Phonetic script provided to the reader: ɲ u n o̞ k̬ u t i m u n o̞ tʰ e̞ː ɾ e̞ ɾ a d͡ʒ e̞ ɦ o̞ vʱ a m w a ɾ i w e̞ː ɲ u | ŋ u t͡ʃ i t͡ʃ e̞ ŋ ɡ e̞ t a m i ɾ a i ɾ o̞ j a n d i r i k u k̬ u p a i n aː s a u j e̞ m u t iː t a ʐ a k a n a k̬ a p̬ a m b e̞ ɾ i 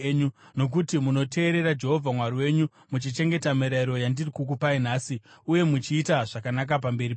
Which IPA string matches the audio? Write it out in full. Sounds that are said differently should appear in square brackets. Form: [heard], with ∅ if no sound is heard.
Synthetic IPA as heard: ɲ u n o̞ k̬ u t i m u n o̞ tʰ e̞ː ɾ e̞ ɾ a d͡ʒ e̞ ɦ o̞ vʱ a m w a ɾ i w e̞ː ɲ u | [m] u t͡ʃ i t͡ʃ e̞ ŋ ɡ e̞ t a m i ɾ a i ɾ o̞ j a n d i r i k u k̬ u p a i n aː s [i] u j e̞ m u [t͡ʃ] iː t a ʐ a k a n a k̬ a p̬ a m b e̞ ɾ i